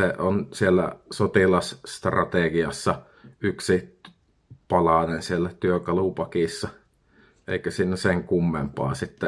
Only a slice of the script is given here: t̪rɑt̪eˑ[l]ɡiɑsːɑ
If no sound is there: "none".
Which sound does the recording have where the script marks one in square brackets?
none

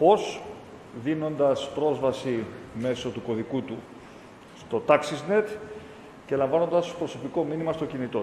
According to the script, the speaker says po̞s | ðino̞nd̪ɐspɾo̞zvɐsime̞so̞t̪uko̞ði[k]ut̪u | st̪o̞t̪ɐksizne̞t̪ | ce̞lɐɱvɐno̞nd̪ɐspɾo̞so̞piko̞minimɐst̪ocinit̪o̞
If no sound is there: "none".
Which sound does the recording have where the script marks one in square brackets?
k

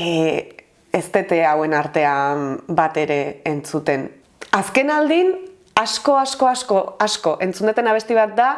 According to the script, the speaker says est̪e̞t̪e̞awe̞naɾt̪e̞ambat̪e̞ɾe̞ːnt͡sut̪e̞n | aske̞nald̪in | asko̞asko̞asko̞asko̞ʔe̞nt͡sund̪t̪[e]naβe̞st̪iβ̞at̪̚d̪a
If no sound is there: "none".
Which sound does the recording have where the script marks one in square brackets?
e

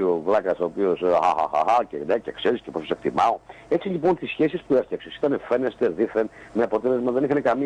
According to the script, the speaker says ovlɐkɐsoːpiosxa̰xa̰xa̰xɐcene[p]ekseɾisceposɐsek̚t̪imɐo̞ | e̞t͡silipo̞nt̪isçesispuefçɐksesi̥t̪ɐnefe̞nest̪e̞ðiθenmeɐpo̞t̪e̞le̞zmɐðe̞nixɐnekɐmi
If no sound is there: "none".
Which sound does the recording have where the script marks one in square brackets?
c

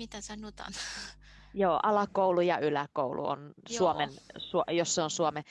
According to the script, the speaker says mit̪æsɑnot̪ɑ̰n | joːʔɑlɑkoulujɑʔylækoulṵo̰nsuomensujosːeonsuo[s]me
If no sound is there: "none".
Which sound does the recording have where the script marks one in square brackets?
none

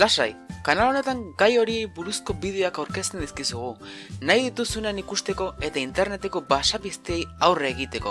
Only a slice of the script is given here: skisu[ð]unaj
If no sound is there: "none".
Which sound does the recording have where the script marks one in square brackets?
ɣ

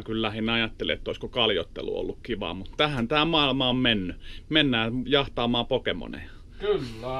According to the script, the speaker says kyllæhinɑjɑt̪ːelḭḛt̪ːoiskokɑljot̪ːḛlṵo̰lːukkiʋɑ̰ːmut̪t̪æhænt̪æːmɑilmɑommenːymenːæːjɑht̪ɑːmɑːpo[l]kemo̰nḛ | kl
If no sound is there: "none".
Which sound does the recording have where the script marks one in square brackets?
none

